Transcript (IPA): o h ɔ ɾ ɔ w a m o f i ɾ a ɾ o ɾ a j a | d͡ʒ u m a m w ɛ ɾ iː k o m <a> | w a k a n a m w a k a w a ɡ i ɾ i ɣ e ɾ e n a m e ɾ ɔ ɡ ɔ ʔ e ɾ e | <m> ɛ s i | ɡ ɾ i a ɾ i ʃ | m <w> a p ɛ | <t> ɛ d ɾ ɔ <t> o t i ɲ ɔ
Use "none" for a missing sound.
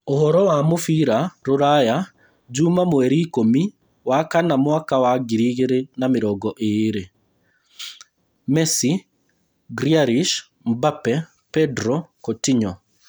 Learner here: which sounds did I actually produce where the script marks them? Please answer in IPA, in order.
i, m, b, p, k

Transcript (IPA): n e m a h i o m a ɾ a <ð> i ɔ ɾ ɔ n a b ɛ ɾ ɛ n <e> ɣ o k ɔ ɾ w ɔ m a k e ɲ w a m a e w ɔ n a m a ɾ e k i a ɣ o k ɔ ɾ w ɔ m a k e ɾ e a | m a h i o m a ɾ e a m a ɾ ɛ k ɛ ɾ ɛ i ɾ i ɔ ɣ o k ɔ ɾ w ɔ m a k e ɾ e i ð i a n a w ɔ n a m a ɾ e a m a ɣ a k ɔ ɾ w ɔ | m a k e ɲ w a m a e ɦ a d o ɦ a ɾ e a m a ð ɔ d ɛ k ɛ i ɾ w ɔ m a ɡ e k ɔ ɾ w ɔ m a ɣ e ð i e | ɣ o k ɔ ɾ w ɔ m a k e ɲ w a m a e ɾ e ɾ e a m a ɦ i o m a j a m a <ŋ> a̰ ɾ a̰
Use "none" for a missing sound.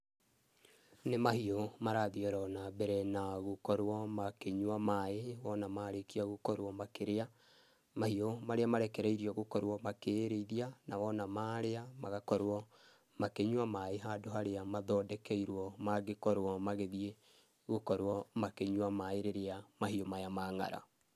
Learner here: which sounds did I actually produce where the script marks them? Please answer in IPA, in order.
ð, a, ŋ

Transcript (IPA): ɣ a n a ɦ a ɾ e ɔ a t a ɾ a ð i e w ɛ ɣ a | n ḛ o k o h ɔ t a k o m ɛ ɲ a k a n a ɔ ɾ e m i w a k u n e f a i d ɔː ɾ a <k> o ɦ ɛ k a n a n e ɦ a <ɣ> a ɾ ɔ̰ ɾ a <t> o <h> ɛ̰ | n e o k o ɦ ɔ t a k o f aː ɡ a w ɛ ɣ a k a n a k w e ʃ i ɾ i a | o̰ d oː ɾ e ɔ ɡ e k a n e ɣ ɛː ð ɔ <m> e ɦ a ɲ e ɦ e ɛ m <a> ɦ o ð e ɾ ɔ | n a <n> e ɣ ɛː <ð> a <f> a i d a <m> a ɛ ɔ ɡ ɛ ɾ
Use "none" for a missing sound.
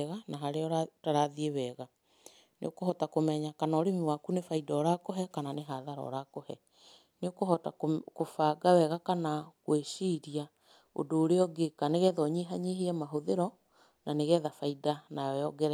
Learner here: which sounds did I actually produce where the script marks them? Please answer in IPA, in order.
k, ð, k, h, ɲ, a, n, ð, f, n

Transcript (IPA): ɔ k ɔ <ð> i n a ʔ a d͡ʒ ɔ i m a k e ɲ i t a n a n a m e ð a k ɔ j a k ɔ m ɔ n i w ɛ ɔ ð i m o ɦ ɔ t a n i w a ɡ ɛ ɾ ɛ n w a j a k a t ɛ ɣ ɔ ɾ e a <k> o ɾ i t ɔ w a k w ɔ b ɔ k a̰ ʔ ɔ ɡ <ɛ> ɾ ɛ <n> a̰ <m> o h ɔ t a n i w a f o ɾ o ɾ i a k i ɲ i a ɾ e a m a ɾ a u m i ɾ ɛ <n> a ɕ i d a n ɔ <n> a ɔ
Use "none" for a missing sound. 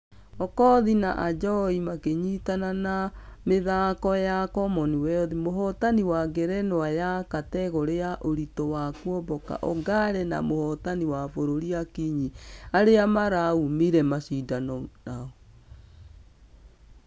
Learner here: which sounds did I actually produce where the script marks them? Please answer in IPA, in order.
ð, ʔ, a, n, m, m, n

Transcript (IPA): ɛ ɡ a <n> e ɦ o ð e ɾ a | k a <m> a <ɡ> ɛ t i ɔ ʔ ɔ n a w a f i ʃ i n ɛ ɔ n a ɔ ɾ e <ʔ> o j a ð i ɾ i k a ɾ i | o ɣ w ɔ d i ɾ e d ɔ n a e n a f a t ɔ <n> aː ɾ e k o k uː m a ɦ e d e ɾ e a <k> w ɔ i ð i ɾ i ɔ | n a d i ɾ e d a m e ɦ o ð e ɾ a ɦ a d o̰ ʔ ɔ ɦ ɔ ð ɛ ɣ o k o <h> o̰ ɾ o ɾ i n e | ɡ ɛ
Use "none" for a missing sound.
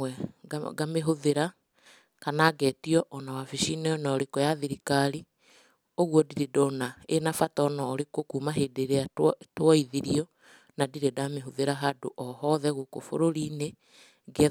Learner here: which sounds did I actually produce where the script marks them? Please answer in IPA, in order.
m, n, ɡ, k, n, t, f

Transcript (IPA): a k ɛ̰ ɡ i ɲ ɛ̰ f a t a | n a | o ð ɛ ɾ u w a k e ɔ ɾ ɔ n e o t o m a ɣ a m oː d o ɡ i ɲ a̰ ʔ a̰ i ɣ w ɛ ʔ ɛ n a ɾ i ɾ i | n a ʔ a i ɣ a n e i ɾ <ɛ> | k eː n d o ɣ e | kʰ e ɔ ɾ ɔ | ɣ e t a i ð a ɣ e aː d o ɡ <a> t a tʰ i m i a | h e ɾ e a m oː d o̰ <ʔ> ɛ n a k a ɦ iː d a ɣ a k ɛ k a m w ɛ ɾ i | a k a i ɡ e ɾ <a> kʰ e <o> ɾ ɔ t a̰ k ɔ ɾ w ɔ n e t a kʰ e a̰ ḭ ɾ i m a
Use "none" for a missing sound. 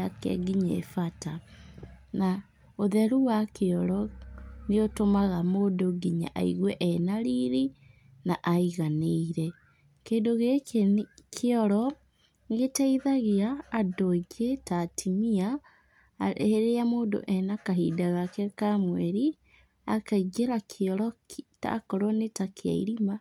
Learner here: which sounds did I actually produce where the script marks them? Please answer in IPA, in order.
ɛ, e, ʔ, a, ɔ

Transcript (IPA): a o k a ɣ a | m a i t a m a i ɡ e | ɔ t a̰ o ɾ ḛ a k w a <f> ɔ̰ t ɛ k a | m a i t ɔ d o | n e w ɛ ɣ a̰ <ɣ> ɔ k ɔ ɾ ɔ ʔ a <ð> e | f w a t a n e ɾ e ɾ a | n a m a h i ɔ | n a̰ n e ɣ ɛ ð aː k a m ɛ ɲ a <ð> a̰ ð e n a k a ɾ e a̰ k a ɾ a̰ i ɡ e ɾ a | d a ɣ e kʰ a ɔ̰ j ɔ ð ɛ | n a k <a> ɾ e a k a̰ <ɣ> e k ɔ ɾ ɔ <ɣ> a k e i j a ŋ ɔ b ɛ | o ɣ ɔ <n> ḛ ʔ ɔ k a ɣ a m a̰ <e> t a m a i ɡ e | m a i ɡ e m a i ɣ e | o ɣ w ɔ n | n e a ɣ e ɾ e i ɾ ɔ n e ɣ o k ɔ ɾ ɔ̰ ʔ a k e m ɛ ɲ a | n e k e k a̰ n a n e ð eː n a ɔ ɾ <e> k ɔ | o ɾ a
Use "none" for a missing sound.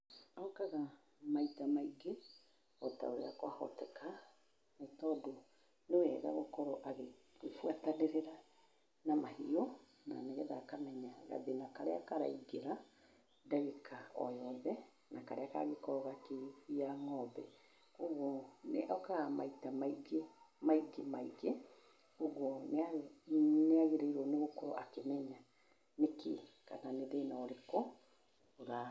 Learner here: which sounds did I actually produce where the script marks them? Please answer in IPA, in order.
h, ɣ, ɣ, ɣ, a, ɣ, ɣ, n, i, e

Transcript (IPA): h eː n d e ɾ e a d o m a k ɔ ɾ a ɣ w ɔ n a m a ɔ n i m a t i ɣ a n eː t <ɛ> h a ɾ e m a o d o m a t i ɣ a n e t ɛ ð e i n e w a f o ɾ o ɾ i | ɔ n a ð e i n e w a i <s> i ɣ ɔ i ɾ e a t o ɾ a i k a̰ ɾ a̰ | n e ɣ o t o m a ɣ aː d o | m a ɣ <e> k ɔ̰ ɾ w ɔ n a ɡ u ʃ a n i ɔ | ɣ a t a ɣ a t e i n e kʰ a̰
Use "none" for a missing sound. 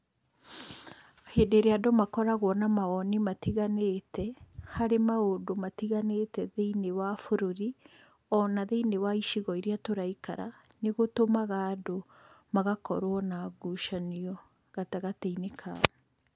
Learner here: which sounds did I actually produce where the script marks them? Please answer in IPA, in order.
ɛ, ʃ, a

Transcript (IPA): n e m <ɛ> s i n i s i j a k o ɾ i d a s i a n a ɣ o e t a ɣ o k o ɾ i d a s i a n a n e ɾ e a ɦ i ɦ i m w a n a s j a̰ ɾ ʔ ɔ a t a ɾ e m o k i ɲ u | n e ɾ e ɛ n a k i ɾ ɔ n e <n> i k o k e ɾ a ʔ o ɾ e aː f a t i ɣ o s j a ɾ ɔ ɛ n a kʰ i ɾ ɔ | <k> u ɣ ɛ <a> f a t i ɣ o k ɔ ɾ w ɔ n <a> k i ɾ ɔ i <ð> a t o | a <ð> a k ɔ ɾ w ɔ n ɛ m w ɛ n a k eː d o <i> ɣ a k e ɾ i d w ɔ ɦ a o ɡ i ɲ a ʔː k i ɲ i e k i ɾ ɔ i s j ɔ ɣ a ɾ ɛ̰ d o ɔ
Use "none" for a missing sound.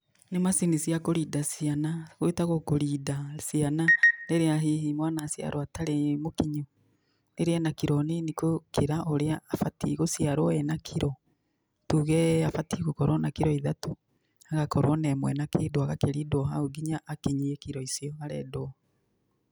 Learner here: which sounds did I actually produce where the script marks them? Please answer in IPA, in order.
a, n, t, a, a, ð, ɣ, a

